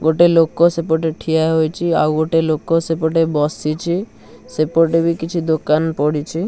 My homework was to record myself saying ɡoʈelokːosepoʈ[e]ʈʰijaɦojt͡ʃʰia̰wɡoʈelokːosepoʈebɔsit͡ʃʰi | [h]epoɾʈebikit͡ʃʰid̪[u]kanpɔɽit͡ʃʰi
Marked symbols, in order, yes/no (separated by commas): yes, no, no